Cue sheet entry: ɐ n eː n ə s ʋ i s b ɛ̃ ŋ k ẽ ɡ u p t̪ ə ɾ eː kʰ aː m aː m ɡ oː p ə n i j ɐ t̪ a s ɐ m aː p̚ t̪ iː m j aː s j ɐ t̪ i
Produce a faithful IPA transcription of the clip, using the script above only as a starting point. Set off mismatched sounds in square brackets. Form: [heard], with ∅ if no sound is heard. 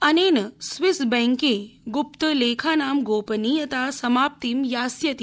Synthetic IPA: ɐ n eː n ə s ʋ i s b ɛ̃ ŋ k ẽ ɡ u p t̪ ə [l] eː kʰ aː [n] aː m ɡ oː p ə n i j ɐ t̪ a s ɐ m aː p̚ t̪ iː m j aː s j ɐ t̪ i